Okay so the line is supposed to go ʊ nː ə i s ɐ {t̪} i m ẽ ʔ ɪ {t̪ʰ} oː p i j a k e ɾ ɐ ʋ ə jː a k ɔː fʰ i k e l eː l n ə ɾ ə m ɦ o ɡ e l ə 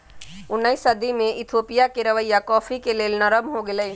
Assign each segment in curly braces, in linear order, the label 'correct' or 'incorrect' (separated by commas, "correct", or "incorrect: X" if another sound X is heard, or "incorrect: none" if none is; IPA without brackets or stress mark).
incorrect: d̪, correct